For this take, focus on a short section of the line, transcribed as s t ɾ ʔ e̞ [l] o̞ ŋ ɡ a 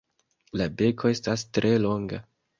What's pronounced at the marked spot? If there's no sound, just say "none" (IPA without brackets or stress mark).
l